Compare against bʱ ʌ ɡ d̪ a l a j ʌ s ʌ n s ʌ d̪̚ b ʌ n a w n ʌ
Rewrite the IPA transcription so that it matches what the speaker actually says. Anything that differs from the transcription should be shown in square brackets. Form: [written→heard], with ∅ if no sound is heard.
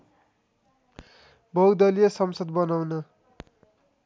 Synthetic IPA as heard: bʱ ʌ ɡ d̪ [a→ʌ] l [a→i] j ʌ s ʌ [n→m] s ʌ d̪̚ b ʌ n a w n ʌ

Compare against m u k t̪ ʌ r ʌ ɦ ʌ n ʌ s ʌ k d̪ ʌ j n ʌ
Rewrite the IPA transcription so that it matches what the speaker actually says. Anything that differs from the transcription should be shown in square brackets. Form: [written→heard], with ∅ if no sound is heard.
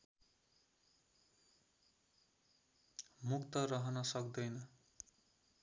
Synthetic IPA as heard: m u k t̪ ʌ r ʌ ɦ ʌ n ʌ s ʌ k d̪ ʌ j n ʌ

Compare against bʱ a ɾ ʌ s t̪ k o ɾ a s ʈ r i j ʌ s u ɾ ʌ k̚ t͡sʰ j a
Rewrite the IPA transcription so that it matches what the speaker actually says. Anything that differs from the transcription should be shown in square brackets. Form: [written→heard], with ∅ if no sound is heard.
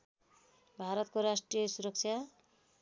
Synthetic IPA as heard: bʱ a ɾ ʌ [s→∅] t̪ k o ɾ a s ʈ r i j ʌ s u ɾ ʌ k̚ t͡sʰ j a

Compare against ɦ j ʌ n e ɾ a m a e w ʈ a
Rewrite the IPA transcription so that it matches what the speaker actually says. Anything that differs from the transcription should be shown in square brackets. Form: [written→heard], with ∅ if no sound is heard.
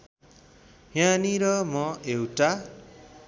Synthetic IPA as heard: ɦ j [ʌ→a] n [e→i] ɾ [a→ʌ] m [a→ʌ] e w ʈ a

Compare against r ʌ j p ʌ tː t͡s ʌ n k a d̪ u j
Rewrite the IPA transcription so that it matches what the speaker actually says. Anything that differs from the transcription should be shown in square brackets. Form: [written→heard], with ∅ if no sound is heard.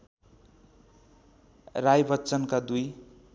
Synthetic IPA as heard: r [ʌ→a] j [p→b] ʌ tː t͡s ʌ n k a d̪ u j

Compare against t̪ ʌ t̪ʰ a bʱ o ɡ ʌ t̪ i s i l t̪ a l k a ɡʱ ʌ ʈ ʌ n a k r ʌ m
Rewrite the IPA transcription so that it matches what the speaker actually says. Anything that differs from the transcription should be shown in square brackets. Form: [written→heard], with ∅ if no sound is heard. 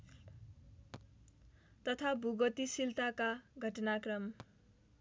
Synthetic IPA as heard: t̪ ʌ t̪ʰ a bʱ [o→u] ɡ ʌ t̪ i s i l t̪ a [l→∅] k a ɡʱ ʌ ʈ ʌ n a k r ʌ m

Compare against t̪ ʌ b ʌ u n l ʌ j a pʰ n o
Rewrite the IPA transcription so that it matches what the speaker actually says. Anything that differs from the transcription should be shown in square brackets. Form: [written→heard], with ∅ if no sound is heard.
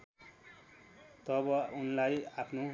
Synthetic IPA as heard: t̪ ʌ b ʌ u n l [ʌ→a] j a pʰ n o

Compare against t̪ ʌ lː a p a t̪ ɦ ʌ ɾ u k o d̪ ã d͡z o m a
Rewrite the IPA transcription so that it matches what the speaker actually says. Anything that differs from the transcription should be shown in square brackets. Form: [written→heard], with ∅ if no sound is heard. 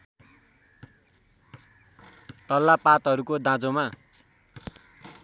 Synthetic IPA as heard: t̪ ʌ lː a p a t̪ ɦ ʌ ɾ u k o d̪ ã d͡z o m a

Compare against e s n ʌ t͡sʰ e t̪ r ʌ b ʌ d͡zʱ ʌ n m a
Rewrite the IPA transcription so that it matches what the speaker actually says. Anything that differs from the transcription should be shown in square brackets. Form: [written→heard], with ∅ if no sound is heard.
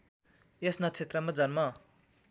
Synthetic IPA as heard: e s n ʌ t͡sʰ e t̪ r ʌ [b→m] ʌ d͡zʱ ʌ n m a

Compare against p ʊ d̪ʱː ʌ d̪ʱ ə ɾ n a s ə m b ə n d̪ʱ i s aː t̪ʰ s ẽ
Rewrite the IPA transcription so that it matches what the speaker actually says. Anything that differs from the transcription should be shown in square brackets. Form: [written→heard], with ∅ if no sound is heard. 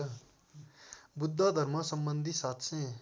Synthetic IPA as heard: [p→b] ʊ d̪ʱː [ʌ→a] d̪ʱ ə ɾ [n→m] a s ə m b ə n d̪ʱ i s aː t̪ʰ s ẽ

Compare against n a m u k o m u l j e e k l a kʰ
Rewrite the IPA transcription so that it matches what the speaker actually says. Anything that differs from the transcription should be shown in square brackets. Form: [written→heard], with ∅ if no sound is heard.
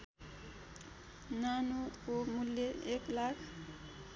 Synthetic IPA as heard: n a [m→n] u k o m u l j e e k l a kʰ

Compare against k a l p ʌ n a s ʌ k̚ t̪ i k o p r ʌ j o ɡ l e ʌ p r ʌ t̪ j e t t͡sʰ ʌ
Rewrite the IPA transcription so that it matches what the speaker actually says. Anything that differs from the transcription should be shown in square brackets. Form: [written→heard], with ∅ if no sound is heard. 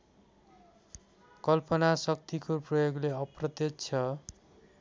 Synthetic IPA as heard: k [a→ʌ] l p ʌ n a s ʌ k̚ t̪ i k o p r ʌ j o ɡ l e ʌ p r ʌ t̪ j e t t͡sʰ ʌ

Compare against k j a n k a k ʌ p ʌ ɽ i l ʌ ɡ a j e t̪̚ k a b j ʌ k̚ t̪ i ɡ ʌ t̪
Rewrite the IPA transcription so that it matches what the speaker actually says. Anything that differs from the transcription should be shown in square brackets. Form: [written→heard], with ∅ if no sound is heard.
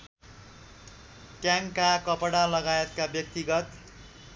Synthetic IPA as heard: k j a [n→ŋ] k a k ʌ p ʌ ɽ [i→a] l ʌ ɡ a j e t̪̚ k a b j ʌ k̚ t̪ i ɡ ʌ t̪

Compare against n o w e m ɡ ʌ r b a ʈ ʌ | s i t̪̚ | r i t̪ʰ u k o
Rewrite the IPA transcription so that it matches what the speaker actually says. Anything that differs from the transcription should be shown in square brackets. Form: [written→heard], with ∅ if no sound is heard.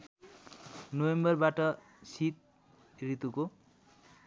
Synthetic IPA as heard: n o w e m [ɡ→b] ʌ r b a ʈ ʌ | s i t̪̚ | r i [t̪ʰ→t̪] u k o

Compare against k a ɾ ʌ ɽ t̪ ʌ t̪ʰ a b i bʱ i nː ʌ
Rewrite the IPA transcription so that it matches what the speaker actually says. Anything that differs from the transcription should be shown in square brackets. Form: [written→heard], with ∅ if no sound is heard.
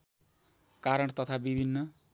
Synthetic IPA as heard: k a ɾ ʌ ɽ t̪ ʌ t̪ʰ a b i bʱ i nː ʌ

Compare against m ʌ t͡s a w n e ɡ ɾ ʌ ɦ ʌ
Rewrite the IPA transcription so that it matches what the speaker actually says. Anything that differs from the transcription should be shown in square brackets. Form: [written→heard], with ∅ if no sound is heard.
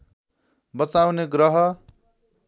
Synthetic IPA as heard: [m→b] ʌ t͡s a w n e ɡ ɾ ʌ ɦ ʌ

